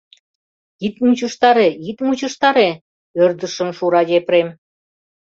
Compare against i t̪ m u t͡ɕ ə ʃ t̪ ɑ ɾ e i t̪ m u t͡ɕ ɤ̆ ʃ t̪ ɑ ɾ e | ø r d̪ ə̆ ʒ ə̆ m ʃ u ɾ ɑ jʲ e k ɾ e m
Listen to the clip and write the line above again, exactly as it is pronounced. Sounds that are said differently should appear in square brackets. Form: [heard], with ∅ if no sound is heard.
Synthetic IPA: i t̪ m u t͡ɕ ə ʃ t̪ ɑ ɾ e i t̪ m u t͡ɕ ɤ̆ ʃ t̪ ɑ ɾ e | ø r d̪ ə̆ [ʃ] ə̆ m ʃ u ɾ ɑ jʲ e [p] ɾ e m